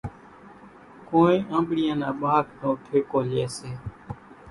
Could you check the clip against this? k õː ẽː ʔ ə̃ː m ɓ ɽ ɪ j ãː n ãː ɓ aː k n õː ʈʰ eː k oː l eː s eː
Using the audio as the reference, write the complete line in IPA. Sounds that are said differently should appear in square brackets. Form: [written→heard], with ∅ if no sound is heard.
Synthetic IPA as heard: k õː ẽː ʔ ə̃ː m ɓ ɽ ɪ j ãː n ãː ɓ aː k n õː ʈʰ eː k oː l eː s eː